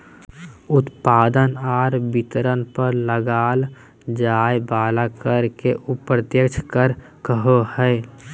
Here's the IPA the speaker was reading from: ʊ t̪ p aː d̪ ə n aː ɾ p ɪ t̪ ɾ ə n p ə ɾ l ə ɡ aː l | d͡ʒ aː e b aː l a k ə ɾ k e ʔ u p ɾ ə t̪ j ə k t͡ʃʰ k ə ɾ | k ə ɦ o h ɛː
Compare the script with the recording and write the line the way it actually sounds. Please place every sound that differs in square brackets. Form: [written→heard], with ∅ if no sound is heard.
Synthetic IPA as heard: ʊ t̪ p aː d̪ ə n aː ɾ [p→b] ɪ t̪ ɾ ə n p ə ɾ l ə ɡ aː l | d͡ʒ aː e b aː l a k ə ɾ k e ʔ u p ɾ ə t̪ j ə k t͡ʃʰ k ə ɾ | k ə ɦ o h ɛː